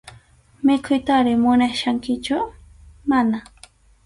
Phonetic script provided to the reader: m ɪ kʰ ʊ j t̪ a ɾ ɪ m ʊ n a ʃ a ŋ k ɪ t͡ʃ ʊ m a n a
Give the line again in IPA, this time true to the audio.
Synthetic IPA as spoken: m ɪ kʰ ʊ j t̪ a ɾ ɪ m ʊ n a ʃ a ŋ k ɪ t͡ʃ ʊ m a n a